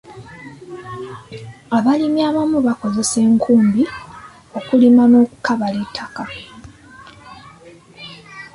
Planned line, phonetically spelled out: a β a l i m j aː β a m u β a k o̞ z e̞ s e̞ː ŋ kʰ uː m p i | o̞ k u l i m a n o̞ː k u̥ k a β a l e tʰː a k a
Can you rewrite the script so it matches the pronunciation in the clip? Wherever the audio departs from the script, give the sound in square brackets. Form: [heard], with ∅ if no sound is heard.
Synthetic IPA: a β a l i m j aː β a m u β a k o̞ z e̞ s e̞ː ŋ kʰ uː m [b] i | o̞ k u l i m a n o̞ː k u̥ k a β a l e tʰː a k a